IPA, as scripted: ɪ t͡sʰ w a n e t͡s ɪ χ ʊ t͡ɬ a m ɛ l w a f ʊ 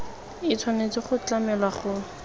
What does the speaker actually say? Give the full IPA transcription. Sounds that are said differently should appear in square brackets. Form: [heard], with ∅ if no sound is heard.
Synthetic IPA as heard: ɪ t͡sʰ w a n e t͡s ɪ χ ʊ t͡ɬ a m ɛ l w a [χ] ʊ